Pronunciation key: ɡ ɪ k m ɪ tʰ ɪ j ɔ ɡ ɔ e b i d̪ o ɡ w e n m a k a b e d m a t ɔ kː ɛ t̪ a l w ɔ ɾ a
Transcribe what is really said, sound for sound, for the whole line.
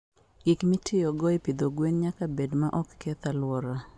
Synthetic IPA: ɡ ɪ k m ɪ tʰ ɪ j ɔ ɡ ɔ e p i d̪ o ɡ w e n ɲ a k a b e d m a ʔ ɔ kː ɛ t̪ a l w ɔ ɾ a